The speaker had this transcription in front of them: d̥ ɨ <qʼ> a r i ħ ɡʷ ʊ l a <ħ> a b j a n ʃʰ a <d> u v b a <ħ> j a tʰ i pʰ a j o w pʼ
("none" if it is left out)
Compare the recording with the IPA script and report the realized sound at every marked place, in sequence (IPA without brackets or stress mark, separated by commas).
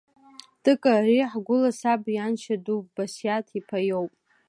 kʼ, s, d, s